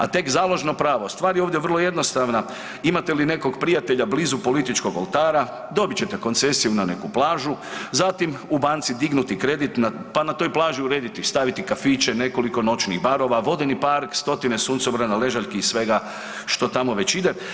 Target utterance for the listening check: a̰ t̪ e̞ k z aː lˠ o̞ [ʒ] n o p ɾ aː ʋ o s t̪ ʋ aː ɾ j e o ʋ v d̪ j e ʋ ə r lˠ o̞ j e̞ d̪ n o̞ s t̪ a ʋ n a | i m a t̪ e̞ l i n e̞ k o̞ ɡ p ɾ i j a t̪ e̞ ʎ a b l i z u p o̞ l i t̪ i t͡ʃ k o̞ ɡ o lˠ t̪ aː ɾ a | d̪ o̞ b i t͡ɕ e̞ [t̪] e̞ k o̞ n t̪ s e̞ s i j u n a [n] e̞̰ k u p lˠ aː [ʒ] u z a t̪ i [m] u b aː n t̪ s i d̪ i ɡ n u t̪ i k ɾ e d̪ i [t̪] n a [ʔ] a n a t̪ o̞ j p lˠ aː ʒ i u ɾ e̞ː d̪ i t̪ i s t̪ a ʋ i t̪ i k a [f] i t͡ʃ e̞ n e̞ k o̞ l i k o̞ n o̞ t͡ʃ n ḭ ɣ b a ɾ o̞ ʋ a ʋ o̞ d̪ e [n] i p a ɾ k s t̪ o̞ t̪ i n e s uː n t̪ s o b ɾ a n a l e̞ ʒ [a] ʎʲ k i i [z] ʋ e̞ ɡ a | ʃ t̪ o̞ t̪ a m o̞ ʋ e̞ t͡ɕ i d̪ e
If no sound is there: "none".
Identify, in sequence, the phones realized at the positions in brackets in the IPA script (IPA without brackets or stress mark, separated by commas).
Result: ʒ, t̪, n, ʒ, m, t̪, p, f, n, a, s